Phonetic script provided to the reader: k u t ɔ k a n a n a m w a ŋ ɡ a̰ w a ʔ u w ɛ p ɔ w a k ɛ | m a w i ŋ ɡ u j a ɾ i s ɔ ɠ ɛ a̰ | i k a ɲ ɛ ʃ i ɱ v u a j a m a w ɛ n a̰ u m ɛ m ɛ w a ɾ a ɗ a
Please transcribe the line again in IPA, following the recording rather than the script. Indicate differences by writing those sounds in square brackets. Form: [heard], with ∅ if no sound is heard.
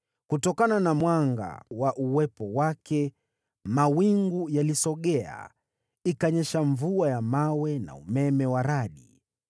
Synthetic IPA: k u t ɔ k a n a n a m w a ŋ ɡ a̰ w a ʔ u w ɛ p ɔ w a k ɛ | m a w i ŋ ɡ u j a [l] i s ɔ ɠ ɛ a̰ | i k a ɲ ɛ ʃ [a] ɱ v u a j a m a w ɛ n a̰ u m ɛ m ɛ w a ɾ a ɗ [i]